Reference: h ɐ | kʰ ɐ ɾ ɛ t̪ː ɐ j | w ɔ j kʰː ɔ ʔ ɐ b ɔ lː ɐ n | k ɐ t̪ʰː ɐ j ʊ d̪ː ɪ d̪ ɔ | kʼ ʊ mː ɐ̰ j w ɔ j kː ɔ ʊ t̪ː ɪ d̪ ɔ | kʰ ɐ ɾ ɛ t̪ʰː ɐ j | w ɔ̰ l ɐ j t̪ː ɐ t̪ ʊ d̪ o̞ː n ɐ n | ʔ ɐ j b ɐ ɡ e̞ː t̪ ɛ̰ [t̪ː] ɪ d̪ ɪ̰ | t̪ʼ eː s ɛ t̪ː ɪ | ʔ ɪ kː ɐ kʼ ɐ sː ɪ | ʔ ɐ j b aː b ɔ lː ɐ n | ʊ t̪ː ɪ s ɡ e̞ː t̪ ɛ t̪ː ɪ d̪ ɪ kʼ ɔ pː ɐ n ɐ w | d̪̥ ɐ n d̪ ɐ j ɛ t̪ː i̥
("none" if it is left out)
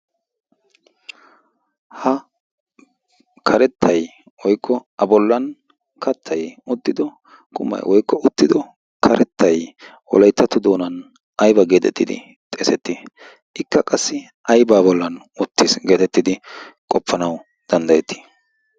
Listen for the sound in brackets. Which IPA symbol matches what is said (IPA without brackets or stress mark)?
t̪ː